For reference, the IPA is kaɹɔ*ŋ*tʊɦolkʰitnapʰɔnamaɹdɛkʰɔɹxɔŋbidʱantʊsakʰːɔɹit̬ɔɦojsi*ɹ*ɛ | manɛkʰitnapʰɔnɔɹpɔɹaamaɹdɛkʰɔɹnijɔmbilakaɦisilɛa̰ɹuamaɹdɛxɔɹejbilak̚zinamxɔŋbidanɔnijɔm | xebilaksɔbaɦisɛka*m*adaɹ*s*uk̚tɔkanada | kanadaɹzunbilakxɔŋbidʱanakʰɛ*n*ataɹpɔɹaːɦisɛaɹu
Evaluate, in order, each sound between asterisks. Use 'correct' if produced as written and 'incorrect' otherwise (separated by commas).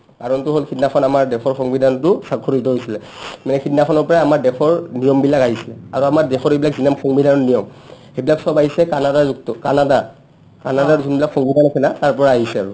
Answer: incorrect, incorrect, incorrect, incorrect, correct